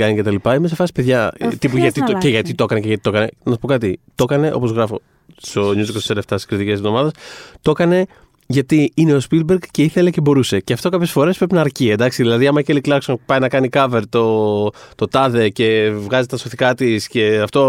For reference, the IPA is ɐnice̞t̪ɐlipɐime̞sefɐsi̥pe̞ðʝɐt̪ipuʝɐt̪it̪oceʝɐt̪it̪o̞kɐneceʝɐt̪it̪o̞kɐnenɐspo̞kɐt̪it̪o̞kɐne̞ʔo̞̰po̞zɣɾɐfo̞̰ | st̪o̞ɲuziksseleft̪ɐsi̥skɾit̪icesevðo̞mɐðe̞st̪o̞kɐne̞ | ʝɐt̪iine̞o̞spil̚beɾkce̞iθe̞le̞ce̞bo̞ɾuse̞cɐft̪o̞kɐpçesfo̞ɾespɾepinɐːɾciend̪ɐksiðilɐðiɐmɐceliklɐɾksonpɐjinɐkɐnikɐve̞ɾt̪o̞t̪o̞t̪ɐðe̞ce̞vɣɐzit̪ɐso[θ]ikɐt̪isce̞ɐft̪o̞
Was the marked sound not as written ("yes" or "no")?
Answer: no